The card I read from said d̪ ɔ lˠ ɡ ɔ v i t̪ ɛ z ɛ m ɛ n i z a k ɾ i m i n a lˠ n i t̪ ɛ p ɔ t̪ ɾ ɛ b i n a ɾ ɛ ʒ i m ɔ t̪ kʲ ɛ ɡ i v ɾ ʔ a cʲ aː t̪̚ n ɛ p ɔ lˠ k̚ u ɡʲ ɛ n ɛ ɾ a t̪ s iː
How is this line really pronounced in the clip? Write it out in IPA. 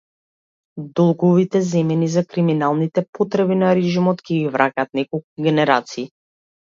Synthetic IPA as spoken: d̪ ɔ lˠ ɡ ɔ v i t̪ ɛ z ɛ m ɛ n i z a k ɾ i m i n a lˠ n i t̪ ɛ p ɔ t̪ ɾ ɛ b i n a ɾ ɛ ʒ i m ɔ t̪ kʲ ɛ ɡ i v ɾ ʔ a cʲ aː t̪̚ n ɛ k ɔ lˠ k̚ u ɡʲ ɛ n ɛ ɾ a t̪ s iː